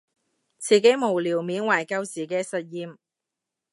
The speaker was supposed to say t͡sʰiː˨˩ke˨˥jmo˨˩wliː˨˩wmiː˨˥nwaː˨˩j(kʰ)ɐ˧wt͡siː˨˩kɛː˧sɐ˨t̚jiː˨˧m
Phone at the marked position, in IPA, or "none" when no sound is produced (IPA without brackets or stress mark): k